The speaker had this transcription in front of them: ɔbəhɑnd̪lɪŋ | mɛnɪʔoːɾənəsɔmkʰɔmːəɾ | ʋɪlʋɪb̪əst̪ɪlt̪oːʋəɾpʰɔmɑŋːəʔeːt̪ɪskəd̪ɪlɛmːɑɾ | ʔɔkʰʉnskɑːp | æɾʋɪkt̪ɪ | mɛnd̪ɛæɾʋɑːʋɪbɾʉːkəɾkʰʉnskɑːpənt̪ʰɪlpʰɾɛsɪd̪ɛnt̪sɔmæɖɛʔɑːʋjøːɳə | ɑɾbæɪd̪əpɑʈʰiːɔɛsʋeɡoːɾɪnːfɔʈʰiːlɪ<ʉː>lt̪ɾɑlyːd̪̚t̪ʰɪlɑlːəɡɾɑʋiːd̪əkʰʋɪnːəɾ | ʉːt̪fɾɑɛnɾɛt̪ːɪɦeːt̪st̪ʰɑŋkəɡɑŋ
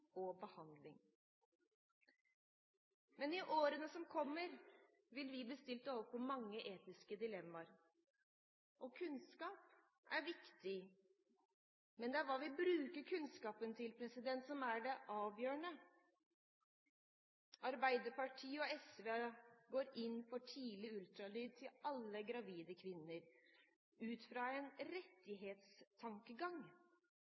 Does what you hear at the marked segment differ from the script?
yes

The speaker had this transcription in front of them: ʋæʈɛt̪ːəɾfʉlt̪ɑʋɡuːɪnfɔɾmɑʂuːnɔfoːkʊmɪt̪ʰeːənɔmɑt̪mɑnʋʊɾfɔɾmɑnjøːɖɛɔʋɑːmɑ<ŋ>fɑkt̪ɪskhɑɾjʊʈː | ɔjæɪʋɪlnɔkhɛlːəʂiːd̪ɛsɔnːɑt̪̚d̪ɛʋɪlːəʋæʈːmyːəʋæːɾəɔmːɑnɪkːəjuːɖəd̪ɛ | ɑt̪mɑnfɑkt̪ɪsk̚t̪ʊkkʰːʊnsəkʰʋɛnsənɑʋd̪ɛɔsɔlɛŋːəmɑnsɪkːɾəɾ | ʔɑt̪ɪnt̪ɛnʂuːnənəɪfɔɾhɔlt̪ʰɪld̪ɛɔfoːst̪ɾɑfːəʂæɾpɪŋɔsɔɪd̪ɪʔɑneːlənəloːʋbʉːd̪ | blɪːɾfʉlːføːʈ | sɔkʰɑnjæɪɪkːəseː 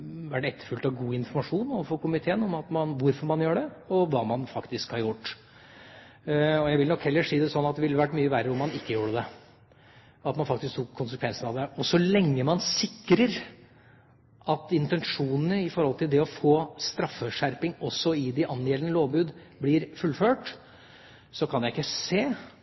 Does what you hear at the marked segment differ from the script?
yes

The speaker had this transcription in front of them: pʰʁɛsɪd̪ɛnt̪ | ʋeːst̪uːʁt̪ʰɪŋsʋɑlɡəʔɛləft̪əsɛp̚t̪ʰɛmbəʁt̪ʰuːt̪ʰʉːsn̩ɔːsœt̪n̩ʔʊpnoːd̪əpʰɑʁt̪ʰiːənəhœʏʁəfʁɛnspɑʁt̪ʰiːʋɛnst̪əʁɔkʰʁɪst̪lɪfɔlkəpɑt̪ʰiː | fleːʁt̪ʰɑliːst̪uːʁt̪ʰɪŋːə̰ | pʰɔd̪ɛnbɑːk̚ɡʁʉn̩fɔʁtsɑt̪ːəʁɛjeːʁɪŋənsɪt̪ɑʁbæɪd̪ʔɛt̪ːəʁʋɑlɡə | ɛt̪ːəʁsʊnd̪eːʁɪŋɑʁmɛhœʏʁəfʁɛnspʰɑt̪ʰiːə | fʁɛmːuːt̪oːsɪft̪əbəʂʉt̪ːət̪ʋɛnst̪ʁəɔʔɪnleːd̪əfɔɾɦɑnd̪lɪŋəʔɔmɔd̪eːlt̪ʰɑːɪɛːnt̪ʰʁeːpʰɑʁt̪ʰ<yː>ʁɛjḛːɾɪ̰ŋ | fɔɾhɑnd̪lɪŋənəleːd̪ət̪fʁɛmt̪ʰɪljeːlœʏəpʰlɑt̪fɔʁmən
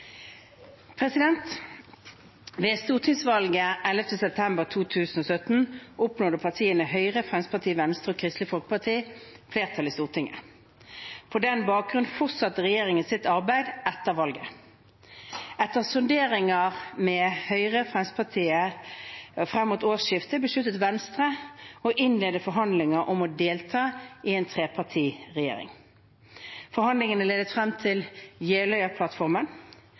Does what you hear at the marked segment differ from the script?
yes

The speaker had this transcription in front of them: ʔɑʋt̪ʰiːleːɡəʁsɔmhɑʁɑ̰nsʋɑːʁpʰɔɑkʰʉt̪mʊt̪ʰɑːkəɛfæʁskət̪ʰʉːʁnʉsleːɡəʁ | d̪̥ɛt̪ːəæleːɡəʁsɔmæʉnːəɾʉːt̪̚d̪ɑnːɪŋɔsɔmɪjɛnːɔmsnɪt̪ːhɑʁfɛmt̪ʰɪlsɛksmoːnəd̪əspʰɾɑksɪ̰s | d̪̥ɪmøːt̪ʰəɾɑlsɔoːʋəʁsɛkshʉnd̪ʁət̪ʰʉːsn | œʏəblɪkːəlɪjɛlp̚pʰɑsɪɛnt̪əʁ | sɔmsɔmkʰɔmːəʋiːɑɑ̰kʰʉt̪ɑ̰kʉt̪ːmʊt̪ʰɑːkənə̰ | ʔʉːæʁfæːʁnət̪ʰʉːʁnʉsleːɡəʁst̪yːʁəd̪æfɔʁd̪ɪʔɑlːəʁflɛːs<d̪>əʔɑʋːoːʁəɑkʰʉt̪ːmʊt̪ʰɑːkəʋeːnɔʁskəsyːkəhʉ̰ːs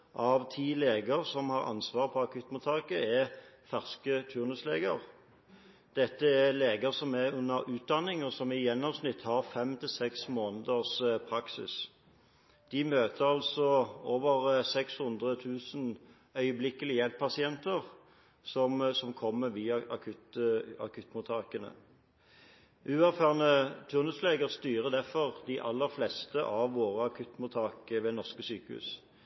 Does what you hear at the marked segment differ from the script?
yes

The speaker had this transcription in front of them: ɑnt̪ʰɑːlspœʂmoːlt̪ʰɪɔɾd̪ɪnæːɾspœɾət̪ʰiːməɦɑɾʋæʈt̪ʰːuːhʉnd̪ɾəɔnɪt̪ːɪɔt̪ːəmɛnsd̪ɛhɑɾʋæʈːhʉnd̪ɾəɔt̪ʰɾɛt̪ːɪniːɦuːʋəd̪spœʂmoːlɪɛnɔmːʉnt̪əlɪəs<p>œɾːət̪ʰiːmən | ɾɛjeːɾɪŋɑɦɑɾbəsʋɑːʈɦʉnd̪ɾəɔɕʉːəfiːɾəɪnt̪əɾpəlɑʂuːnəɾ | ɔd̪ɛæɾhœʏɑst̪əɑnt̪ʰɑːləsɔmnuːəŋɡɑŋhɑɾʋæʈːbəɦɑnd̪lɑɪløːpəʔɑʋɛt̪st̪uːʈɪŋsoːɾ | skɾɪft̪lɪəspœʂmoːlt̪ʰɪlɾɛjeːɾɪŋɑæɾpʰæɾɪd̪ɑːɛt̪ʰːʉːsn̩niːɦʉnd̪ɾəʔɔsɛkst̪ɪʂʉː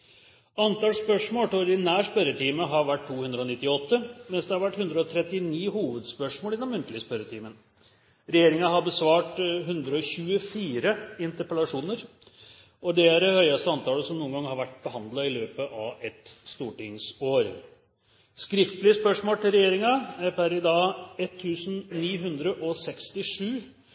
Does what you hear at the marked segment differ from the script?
no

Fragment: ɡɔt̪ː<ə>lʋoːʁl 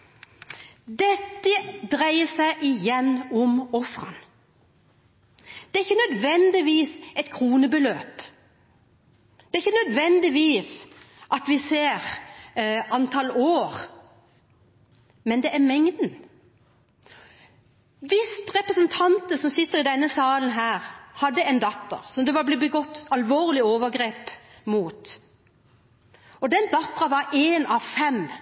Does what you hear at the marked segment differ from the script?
yes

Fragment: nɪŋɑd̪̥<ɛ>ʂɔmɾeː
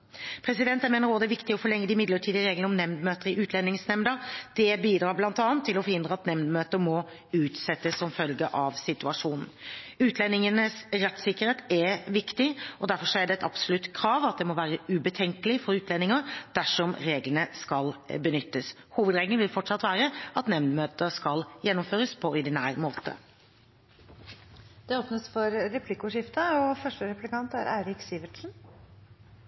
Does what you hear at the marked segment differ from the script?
yes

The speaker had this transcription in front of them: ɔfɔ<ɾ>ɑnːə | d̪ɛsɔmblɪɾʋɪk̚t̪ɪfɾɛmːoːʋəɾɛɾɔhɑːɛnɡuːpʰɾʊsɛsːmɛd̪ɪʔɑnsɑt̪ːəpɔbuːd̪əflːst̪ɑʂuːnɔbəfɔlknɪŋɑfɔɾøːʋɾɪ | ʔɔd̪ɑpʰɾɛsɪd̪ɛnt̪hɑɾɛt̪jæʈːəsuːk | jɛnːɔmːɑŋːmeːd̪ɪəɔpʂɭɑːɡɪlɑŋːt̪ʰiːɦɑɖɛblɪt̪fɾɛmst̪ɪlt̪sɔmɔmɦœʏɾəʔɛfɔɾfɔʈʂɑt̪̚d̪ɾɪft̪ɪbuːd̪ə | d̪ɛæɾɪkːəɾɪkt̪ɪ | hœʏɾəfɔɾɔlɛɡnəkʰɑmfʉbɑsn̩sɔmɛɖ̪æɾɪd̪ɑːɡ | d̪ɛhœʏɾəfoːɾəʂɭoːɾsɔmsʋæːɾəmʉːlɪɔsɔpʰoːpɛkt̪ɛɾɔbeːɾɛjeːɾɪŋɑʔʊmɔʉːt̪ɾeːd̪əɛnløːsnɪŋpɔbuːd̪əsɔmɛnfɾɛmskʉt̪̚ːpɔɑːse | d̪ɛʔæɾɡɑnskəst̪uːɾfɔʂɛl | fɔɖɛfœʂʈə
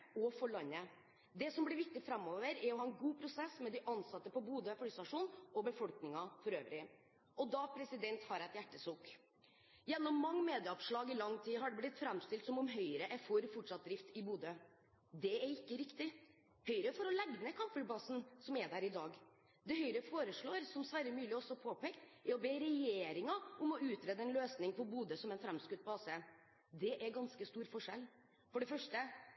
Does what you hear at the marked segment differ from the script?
yes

